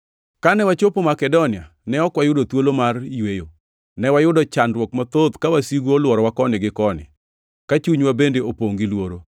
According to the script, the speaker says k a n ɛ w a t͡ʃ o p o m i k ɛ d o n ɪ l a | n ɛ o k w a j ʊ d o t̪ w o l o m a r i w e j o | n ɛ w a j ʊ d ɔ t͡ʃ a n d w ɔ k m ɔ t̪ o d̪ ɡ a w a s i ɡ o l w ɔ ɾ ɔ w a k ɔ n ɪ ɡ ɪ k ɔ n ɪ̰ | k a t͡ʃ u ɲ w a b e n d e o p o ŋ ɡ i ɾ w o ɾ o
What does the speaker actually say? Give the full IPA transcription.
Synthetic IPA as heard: k a n ɛ w a t͡ʃ o p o m a k ɛ d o n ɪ a | n ɛ ɔ k w a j ʊ d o t̪ w o l o m a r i w e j o | n ɛ w a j ʊ d ɔ t͡ʃ a n d w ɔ k m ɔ t̪ o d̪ k a w a s i ɡ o l w ɔ ɾ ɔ w a k ɔ n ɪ ɡ ɪ k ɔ n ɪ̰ | k a t͡ʃ u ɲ w a b e n d e o p o ŋ ɡ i l w o ɾ o

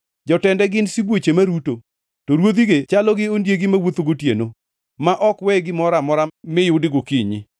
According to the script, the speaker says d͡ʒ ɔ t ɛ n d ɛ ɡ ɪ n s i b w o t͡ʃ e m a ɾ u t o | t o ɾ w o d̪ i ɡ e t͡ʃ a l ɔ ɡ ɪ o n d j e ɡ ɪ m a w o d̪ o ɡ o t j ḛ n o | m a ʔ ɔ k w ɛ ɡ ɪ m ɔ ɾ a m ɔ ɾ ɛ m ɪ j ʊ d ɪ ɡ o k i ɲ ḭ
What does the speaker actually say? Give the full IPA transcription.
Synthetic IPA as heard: d͡ʒ ɔ t ɛ n d ɛ ɡ ɪ n s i b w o t͡ʃ e m a ɾ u t o | t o ɾ w o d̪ i ɡ e t͡ʃ a l ɔ ɡ ɪ o n d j e ɡ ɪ m a w o t̪ o ɡ o t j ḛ n o | m a ʔ ɔ k w ɛ ɡ ɪ m ɔ ɾ a m ɔ ɾ a m ɪ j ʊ d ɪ ɡ o k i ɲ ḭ

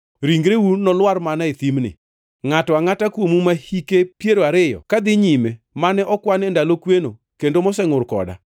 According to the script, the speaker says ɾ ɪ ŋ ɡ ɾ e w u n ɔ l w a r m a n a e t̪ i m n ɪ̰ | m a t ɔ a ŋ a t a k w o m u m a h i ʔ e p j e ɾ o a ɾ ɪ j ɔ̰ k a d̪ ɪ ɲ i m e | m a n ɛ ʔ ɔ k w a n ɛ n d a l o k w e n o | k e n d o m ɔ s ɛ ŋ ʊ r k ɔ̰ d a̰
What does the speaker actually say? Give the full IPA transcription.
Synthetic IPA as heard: ɾ i ŋ ɡ ɾ e w u n ɔ l w a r m a n a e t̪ i m n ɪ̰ | ŋ a t ɔ a ŋ a t a k w o m u m a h i k e p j e ɾ o a ɾ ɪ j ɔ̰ k a d̪ ɪ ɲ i m e | m a n ɛ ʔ ɔ k w a n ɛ n d a l o k w e n o | k e n d o m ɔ s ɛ ŋ ʊ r k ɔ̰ d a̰

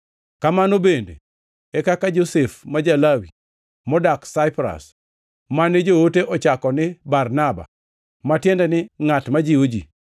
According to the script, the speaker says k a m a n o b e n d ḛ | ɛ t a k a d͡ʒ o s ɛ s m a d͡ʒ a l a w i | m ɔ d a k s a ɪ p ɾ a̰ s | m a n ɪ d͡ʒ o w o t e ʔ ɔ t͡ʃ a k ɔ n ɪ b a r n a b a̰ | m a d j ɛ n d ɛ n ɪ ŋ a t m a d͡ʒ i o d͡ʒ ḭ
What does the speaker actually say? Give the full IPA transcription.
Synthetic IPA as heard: k a m a n o b e n d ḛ | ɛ k a k a d͡ʒ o s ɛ f m a d͡ʒ a l a w i | m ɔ d a k s a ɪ p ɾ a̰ s | m a n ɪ d͡ʒ o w o t e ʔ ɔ t͡ʃ a k ɔ n ɪ b a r n a b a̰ | m a t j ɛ n d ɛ n ɪ ŋ a t m a d͡ʒ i o d͡ʒ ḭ

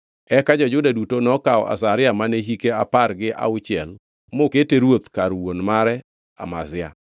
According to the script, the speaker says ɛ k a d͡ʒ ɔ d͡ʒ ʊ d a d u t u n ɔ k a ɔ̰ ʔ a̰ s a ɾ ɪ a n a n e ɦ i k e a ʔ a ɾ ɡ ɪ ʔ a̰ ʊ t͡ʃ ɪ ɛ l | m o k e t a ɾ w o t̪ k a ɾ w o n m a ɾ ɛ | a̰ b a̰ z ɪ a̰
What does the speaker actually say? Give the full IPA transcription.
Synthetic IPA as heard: ɛ k a d͡ʒ ɔ d͡ʒ ʊ d a d u t o n ɔ k a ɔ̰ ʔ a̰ s a ɾ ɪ a m a n e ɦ i k e a p a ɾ ɡ ɪ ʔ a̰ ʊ t͡ʃ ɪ ɛ l | m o k e t e ɾ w o t̪ k a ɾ w o n m a ɾ ɛ | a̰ m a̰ z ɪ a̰

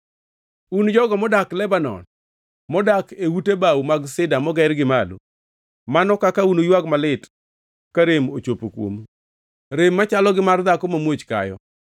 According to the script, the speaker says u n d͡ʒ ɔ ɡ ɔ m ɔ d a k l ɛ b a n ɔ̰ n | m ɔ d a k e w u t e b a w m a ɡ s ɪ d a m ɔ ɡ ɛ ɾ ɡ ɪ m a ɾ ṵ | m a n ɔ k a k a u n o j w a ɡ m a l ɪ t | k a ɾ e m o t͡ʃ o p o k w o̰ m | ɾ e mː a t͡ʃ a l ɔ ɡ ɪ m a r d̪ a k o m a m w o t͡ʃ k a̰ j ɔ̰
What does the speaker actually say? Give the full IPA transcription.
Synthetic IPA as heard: u n d͡ʒ ɔ ɡ ɔ m ɔ d a k l ɛ b a n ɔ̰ n | m ɔ d a k e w u t e b a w m a ɡ s ɪ d a m ɔ ɡ ɛ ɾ ɡ ɪ m a l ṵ | m a n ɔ k a k a u n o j w a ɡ m a l ɪ t | k a ɾ e m o t͡ʃ o p o k w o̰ m | ɾ e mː a t͡ʃ a l ɔ ɡ ɪ m a r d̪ a k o m a m w o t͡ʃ k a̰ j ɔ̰

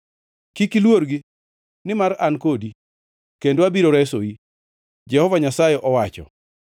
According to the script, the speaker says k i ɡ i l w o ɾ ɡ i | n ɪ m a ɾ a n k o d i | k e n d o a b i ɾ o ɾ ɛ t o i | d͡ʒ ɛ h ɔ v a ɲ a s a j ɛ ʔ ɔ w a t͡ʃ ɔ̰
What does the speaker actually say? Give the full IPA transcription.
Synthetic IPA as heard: k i k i l w o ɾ ɡ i | n ɪ m a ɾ a n k o d i | k e n d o a b i ɾ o ɾ ɛ s o i | d͡ʒ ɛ h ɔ v a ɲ a s a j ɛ ʔ ɔ w a t͡ʃ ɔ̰

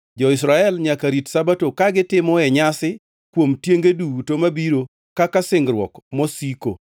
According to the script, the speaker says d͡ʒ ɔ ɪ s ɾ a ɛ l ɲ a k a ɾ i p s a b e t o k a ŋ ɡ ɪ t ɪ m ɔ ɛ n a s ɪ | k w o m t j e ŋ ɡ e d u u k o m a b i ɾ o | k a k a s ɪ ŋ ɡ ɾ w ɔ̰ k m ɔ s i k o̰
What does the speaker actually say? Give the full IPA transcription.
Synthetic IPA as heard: d͡ʒ ɔ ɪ s ɾ a ɛ l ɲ a k a ɾ i t s a b a t o k a ɡ ɪ t ɪ m ɔ ɛ ɲ a s ɪ | k w o m t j e ŋ ɡ e d u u t o m a b i ɾ o | k a k a s ɪ ŋ ɡ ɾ w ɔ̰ k m ɔ s i k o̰

